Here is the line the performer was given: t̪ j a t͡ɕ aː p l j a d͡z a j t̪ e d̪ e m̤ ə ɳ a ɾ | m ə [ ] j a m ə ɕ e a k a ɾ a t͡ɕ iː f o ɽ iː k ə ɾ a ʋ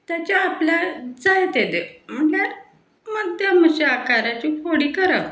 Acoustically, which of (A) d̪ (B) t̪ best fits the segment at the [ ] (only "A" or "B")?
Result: A